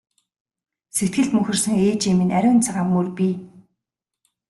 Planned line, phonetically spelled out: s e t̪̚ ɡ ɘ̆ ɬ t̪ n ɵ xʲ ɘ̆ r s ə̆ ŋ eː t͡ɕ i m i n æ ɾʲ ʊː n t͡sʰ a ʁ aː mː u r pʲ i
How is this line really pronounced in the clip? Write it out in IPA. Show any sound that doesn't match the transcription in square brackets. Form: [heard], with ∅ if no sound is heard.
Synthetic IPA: s e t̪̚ ɡ ɘ̆ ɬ t̪ [m] ɵ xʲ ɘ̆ r s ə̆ ŋ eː t͡ɕ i m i n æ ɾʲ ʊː n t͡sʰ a ʁ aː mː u r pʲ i